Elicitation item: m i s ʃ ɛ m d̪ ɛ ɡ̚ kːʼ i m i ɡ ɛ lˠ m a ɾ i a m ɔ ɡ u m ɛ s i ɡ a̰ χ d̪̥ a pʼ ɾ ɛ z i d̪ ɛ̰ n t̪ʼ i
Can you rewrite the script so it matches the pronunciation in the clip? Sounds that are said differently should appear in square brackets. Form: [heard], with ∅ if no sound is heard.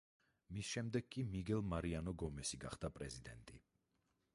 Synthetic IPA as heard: m i s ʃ ɛ m d̪ ɛ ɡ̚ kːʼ i m i ɡ ɛ lˠ m a ɾ i a [n] ɔ ɡ [ɔ] m ɛ s i ɡ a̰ χ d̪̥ a pʼ ɾ ɛ z i d̪ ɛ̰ n t̪ʼ i